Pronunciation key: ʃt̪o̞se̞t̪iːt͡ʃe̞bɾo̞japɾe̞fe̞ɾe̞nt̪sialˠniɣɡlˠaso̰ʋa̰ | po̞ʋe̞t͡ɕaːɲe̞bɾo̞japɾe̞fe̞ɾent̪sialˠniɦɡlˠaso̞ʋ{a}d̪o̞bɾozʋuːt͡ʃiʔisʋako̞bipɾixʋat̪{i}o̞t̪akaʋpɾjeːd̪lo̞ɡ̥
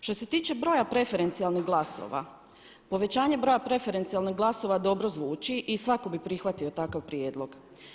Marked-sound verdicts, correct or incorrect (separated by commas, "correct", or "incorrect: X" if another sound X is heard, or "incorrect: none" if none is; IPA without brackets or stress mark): correct, correct